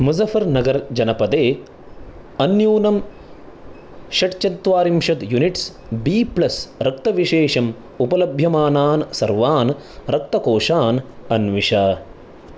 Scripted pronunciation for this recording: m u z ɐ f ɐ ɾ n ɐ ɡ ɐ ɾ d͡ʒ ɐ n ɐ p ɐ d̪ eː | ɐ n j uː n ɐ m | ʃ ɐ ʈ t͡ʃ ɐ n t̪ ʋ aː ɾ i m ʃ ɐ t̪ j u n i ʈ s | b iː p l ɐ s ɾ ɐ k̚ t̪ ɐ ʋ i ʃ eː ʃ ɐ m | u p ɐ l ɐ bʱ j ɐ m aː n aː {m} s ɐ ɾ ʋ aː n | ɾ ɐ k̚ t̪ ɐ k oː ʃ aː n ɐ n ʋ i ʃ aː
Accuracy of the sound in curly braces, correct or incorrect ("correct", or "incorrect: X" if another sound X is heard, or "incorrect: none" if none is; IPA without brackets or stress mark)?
incorrect: n